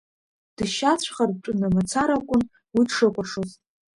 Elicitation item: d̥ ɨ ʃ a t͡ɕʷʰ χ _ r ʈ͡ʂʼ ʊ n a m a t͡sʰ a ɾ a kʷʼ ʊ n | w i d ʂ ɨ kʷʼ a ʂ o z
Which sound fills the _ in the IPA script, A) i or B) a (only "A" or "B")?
B